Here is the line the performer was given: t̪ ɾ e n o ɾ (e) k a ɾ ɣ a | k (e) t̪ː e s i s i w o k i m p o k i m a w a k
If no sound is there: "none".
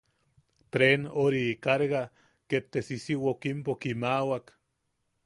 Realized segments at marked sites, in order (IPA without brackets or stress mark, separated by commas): i, e